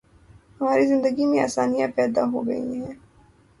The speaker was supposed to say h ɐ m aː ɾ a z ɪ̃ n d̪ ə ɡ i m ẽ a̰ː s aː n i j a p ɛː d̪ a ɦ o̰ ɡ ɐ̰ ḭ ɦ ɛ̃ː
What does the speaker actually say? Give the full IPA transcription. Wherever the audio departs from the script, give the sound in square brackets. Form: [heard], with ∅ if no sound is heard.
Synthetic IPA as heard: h ɐ m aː ɾ [i] z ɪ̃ n d̪ ə ɡ i m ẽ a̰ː s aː n i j a p ɛː d̪ a ɦ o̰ ɡ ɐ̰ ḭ ɦ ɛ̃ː